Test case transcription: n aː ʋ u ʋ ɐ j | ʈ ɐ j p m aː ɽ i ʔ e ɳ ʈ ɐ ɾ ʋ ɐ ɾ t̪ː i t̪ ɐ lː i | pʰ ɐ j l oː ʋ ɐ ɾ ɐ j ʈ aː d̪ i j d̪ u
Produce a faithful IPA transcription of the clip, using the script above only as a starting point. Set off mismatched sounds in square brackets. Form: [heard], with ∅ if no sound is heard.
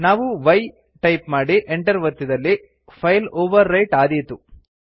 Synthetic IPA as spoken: n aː ʋ u ʋ ɐ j | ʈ ɐ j p m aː ɽ i ʔ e ɳ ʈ ɐ ɾ ʋ ɐ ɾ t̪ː i [d̪] ɐ lː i | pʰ ɐ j l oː ʋ ɐ [ɾː] ɐ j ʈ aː d̪ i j [t̪] u